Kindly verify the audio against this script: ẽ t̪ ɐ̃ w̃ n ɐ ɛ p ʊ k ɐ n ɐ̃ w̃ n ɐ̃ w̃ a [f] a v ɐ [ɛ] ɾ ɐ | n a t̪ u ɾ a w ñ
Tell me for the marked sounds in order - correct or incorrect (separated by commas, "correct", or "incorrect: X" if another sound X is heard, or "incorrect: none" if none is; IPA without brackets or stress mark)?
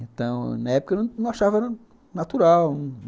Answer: incorrect: ʃ, correct